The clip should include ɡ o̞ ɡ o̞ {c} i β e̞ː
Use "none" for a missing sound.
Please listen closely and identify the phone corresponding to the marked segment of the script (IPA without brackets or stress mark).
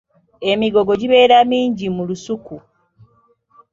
ɟ